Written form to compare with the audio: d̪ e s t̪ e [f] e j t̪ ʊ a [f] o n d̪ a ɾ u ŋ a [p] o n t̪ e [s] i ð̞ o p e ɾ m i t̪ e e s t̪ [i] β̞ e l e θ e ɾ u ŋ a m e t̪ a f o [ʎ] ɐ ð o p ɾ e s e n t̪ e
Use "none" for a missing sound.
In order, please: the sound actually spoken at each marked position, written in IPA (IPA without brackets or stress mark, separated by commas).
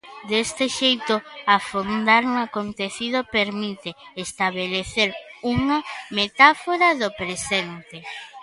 ʃ, f, k, θ, a, ɾ